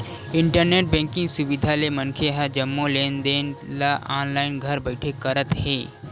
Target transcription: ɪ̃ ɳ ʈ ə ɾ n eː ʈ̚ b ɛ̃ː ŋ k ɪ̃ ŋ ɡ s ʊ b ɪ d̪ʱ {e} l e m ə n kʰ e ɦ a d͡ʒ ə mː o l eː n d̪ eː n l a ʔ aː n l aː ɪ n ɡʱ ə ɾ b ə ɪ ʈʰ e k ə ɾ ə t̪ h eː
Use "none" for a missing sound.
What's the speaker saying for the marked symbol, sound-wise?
a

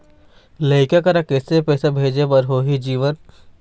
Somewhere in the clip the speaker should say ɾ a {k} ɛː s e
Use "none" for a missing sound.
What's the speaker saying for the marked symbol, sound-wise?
k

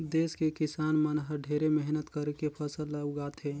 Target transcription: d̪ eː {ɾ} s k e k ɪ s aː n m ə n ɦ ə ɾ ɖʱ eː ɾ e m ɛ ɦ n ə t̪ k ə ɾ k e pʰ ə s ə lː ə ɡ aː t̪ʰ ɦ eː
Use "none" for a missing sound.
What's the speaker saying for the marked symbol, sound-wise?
none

